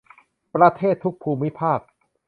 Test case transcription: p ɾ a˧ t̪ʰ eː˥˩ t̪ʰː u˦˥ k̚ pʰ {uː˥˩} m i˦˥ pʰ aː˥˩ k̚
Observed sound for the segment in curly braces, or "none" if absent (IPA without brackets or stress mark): uː˧